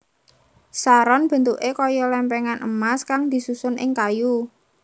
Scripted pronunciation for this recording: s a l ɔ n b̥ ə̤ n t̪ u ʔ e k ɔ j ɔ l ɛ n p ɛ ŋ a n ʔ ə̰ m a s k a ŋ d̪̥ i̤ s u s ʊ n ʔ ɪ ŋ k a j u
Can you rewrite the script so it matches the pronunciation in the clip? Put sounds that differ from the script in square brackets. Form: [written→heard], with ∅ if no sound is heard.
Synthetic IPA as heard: s a [l→ɾ] ɔ n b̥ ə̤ n t̪ u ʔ e k ɔ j ɔ l ɛ [n→m] p ɛ ŋ a n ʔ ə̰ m a s k a ŋ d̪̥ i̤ s u s ʊ n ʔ ɪ ŋ k a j u